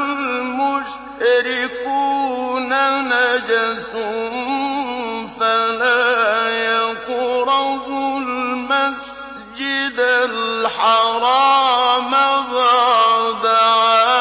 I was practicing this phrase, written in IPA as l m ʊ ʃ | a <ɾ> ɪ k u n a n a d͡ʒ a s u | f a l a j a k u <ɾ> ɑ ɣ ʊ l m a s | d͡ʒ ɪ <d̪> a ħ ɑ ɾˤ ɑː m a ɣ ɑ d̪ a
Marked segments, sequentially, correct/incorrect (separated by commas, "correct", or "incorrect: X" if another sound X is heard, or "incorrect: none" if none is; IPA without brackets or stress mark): correct, correct, correct